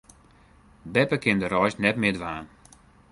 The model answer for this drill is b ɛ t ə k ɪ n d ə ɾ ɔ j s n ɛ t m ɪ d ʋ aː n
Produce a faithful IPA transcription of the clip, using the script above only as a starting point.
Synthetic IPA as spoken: b ɛ p ə k ɪ n d ə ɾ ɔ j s n ɛ t m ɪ d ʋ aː n